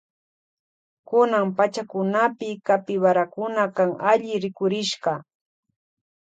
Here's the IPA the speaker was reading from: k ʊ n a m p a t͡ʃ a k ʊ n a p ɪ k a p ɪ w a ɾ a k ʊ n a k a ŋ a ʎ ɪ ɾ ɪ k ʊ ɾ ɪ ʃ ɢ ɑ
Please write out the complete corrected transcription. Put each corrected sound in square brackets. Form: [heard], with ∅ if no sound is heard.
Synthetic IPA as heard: k ʊ n a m p a t͡ʃ a k ʊ n a p ɪ k a p ɪ w a ɾ a k ʊ n a k a ŋ a ʎ ɪ ɾ ɪ k ʊ ɾ ɪ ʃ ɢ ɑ